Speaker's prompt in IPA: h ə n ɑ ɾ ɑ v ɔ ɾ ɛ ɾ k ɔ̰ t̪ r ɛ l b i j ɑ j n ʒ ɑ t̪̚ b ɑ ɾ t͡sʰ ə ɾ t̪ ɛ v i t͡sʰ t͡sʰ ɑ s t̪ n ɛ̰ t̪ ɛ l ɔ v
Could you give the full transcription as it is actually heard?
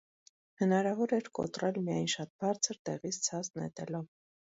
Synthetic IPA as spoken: h ə n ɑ ɾ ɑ v ɔ ɾ ɛ ɾ k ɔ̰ t̪ r ɛ l m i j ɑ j n ʃ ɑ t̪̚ b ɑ ɾ t͡sʰ ə ɾ t̪ ɛ ʁ i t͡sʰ t͡sʰ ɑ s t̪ n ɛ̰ t̪ ɛ l ɔ v